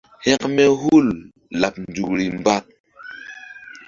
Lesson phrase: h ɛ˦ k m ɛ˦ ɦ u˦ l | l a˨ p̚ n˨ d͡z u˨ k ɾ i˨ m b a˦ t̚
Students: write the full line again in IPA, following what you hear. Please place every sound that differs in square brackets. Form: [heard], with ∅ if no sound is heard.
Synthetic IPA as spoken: h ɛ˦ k m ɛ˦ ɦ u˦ l | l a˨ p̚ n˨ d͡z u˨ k ɾ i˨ m b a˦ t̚